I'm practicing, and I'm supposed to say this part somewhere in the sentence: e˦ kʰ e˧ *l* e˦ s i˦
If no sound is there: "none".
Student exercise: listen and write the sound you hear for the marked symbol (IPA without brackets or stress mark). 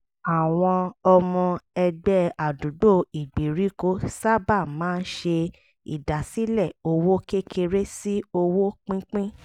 ɾ